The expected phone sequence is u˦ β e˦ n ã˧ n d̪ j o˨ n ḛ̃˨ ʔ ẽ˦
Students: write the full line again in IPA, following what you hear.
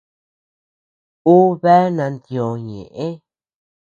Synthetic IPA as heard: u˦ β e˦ n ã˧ n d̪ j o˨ ɲ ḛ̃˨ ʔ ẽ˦